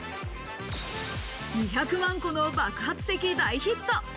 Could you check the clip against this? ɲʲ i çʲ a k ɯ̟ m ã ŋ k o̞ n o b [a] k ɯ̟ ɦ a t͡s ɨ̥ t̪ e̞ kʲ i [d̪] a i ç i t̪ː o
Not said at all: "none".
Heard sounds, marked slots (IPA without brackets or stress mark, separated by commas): a, d̪